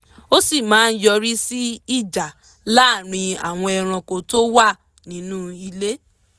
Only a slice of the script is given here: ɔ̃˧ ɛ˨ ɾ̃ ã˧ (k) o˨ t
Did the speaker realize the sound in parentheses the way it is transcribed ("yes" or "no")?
yes